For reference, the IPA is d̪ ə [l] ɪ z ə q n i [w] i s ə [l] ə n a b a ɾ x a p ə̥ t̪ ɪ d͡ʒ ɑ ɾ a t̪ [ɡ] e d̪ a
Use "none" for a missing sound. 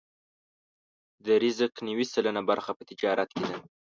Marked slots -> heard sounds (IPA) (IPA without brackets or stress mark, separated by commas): ɾ, w, l, k